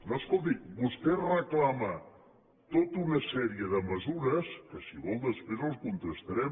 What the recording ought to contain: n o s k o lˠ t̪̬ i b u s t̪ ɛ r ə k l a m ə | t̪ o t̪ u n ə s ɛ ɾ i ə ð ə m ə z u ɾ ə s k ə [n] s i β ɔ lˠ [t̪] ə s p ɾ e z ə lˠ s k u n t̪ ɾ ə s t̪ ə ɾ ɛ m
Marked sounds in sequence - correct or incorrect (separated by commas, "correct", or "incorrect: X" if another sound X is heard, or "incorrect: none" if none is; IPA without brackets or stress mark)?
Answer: incorrect: none, incorrect: d̪